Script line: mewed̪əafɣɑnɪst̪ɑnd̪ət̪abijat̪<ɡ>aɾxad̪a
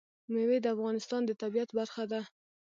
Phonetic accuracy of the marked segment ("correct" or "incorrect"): incorrect